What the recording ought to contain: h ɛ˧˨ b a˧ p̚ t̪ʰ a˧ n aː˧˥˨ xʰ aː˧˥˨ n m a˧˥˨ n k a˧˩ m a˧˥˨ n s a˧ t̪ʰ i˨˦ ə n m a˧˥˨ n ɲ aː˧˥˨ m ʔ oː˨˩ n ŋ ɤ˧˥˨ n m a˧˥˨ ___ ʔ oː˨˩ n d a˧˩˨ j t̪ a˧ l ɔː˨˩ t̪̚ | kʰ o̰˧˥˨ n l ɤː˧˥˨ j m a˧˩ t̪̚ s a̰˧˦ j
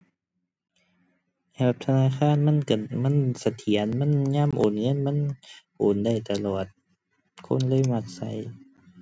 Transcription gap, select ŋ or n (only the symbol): n